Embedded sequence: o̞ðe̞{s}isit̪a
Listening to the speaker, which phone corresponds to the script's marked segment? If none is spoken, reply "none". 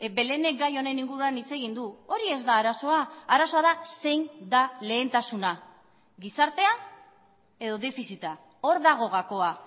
f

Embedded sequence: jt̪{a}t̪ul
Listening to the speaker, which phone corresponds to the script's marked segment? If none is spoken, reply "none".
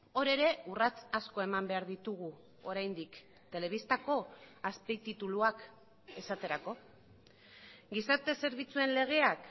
i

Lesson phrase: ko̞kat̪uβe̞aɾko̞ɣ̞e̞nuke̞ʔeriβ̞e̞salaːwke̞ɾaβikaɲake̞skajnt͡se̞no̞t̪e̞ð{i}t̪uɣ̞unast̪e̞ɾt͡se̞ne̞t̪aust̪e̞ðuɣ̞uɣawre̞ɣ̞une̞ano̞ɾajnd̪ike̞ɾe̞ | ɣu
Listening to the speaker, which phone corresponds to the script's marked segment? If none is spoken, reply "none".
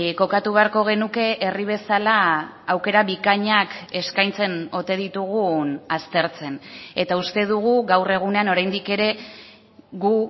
i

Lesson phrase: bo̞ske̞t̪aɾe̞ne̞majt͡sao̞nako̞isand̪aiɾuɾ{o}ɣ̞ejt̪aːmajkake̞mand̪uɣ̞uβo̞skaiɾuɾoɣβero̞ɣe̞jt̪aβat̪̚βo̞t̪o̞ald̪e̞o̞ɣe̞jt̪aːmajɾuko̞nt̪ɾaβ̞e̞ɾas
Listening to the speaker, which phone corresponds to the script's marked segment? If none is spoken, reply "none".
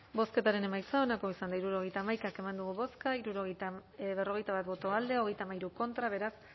o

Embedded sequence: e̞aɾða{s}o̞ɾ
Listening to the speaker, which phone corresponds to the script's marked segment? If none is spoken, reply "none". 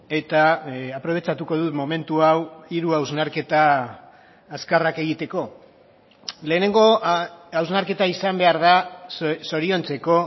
s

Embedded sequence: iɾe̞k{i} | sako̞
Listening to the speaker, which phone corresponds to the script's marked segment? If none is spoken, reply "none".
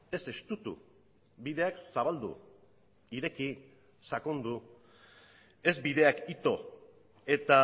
i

